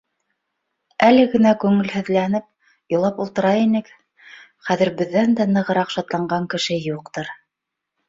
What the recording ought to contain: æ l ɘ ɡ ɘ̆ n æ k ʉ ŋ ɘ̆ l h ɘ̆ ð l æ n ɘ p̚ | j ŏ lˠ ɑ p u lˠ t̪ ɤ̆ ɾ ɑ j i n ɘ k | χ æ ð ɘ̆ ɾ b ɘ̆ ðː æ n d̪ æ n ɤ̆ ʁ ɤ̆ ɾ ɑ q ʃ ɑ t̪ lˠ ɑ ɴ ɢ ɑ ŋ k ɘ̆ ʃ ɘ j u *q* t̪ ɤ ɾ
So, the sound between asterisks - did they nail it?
yes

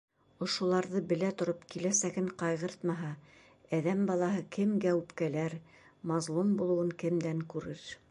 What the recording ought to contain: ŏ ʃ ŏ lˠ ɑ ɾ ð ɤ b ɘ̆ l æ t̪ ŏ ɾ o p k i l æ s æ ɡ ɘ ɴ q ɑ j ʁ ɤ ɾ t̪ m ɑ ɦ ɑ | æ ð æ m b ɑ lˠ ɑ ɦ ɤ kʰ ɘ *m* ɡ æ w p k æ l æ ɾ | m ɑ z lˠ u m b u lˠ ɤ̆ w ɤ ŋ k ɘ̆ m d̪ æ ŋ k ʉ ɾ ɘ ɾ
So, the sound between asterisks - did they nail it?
yes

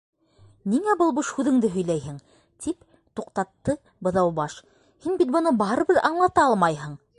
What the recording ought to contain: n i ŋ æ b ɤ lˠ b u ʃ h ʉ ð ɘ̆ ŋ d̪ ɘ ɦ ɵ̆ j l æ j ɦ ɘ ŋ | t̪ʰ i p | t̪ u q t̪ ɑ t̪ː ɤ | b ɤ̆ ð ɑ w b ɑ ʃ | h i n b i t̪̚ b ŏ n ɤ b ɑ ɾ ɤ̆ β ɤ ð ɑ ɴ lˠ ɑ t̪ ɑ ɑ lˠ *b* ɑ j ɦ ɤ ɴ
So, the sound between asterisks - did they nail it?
no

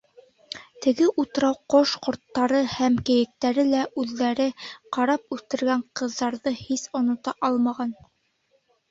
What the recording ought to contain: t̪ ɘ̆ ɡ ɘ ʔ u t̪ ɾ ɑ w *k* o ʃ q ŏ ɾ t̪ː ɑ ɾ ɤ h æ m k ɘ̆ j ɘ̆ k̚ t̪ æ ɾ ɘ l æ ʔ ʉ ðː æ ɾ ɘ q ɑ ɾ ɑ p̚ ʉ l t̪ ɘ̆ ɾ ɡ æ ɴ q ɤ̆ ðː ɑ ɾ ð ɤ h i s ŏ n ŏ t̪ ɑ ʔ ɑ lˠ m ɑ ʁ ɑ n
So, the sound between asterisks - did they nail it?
no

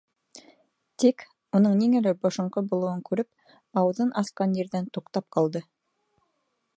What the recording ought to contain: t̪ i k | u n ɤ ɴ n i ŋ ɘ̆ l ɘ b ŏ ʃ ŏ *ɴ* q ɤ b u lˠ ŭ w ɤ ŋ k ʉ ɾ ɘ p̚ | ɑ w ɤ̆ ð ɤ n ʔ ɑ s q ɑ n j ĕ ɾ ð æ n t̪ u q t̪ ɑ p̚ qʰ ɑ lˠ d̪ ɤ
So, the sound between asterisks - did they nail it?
yes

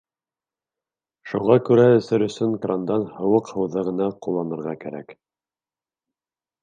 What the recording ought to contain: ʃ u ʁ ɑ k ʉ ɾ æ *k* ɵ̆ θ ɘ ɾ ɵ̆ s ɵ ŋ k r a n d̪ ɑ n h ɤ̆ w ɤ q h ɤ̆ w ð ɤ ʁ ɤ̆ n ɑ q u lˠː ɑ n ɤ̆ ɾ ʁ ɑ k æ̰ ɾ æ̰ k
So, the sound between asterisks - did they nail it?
no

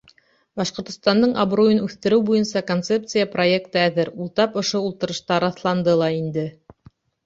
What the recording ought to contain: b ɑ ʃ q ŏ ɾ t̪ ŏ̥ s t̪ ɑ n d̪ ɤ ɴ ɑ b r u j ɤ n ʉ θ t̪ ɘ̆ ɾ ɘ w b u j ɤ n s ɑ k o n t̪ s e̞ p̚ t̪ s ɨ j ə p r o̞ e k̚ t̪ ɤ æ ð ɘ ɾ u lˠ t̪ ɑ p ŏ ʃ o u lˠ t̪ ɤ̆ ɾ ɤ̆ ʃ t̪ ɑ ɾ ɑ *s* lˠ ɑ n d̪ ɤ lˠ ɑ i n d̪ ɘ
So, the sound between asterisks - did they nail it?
no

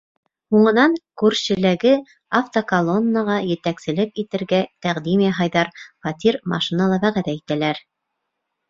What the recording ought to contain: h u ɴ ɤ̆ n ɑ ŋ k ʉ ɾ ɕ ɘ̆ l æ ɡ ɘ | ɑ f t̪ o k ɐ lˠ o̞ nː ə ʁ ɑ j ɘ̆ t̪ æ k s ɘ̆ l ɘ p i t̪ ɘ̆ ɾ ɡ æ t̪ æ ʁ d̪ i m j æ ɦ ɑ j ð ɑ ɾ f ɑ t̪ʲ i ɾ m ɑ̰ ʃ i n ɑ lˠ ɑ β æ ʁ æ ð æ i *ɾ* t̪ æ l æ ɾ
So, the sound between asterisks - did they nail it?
no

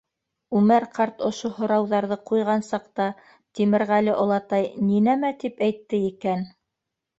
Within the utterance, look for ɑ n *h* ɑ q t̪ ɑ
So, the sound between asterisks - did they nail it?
no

